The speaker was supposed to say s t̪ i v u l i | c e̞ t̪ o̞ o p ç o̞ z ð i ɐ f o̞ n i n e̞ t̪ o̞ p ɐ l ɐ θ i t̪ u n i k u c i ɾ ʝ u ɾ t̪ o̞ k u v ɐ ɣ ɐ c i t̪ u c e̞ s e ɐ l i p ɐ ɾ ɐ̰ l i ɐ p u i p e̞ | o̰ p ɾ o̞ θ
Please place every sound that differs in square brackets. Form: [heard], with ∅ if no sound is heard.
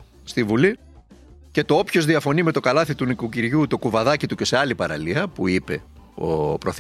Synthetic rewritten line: s t̪ i v u l i | c e̞ t̪ o̞ o p ç o̞ z ð i ɐ f o̞ n i [m] e̞ t̪ o̞ [k] ɐ l ɐ θ i t̪ u n i k u c i ɾ ʝ u [∅] t̪ o̞ k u v ɐ [ð] ɐ c i t̪ u c e̞ s e ɐ l i p ɐ ɾ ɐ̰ l i ɐ p u i p e̞ | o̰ p ɾ o̞ θ